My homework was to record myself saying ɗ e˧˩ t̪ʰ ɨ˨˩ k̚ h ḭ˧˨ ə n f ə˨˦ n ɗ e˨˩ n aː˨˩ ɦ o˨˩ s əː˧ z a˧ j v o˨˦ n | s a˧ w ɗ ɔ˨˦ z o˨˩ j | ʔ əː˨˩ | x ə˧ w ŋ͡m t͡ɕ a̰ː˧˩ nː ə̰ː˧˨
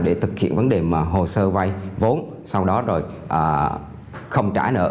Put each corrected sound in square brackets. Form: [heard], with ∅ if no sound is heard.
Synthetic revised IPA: ɗ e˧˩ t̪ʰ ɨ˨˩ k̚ h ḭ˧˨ ə n [v] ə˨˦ n ɗ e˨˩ [m] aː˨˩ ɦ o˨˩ s əː˧ [v] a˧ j v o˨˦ n | s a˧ w ɗ ɔ˨˦ z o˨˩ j | ʔ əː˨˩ | x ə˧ w ŋ͡m t͡ɕ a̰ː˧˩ [n] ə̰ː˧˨